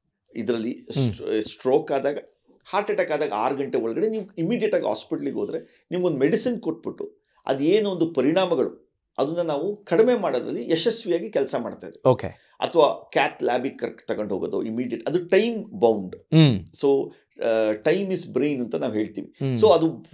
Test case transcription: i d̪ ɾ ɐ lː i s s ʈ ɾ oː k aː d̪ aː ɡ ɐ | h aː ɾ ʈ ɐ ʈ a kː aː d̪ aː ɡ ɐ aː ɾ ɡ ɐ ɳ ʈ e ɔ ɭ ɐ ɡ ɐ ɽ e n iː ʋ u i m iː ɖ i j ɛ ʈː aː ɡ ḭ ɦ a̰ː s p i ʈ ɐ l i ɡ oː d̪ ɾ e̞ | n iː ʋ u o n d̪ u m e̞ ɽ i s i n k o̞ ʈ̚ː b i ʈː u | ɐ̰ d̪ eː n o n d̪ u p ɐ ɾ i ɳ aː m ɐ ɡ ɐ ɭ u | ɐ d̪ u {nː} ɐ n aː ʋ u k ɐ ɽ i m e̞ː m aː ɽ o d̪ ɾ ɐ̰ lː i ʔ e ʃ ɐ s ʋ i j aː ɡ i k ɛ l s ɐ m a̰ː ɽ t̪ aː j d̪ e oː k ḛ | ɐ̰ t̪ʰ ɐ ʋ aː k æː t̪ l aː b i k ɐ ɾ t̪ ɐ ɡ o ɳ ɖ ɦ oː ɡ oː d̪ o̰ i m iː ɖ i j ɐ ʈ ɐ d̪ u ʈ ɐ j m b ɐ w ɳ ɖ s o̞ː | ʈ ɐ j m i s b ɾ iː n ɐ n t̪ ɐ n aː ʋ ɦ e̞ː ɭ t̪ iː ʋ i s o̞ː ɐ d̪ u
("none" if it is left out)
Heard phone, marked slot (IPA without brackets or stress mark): nː